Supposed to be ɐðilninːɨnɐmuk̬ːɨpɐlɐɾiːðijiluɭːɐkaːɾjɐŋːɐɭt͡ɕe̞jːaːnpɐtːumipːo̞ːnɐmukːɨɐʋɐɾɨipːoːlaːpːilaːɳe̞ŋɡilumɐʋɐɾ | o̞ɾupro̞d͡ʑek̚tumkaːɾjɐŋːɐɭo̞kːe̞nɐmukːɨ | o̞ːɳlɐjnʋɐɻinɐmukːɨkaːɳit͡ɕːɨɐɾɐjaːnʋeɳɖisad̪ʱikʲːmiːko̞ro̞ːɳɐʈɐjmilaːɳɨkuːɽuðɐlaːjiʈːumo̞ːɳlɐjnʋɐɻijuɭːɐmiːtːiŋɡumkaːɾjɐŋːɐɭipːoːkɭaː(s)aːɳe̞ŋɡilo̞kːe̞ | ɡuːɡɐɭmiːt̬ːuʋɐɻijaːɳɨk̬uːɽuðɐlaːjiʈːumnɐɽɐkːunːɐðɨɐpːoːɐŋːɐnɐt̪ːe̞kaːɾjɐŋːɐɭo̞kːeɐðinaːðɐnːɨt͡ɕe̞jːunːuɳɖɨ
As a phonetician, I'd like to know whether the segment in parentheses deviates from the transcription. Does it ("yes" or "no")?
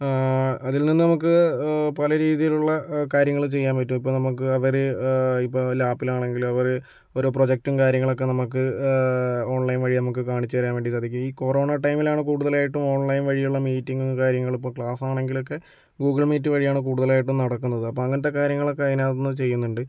no